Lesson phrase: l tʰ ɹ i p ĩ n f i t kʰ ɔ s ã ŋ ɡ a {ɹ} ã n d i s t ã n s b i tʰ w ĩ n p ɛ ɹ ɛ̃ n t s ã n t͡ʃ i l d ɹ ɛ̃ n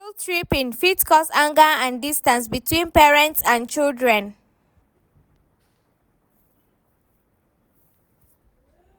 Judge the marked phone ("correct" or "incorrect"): incorrect